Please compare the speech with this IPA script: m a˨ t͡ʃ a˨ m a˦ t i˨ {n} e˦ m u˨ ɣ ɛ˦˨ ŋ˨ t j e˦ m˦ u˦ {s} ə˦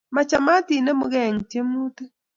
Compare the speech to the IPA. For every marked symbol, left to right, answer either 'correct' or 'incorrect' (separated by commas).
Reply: correct, incorrect